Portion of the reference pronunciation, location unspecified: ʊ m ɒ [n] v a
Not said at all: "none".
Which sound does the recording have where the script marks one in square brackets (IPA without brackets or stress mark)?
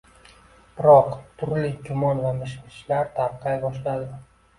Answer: n